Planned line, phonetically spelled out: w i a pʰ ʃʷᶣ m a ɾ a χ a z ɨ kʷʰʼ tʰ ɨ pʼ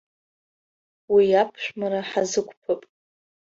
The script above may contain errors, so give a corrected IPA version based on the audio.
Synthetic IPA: w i a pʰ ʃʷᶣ m a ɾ a ħ a z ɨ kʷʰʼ pʰ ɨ pʼ